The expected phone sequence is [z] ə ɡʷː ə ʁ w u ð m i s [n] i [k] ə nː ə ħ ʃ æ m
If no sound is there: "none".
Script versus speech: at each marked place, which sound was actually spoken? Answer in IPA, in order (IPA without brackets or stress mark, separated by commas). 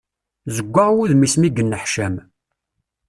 z, m, ɡ